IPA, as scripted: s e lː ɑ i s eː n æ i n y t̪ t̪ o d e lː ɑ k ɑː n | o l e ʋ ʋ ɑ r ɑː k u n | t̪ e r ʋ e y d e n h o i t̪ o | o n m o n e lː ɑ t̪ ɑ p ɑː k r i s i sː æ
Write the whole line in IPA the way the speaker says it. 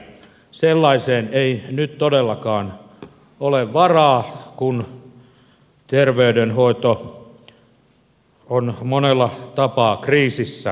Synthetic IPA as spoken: s e lː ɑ i s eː n e i n y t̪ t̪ o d e lː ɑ k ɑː n | o l e ʋ ʋ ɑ r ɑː k u n | t̪ e r ʋ e y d e n h o i t̪ o | o n m o n e lː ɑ t̪ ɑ p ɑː k r iː s i sː æ